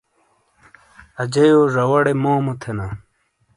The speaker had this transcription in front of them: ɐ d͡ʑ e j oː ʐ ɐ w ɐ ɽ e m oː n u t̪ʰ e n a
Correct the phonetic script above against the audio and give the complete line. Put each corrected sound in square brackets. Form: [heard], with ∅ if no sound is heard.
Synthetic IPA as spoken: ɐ d͡ʑ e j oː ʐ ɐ w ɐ ɽ e m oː [m] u t̪ʰ e n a